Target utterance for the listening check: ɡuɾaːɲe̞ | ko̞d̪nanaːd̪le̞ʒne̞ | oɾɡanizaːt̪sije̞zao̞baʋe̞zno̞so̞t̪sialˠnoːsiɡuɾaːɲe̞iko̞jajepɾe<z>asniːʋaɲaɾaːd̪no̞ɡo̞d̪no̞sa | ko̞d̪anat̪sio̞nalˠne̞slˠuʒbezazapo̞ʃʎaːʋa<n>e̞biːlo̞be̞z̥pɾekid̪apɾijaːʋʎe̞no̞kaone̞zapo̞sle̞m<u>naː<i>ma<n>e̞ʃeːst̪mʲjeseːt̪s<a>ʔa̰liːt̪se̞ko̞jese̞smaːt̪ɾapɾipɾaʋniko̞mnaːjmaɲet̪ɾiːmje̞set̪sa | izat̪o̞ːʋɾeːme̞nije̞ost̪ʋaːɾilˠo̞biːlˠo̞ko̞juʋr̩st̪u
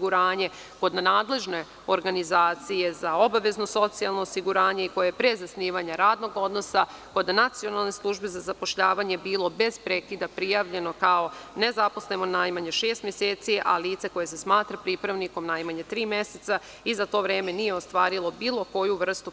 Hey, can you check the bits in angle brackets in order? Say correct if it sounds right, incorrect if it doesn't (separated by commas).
correct, incorrect, incorrect, incorrect, incorrect, incorrect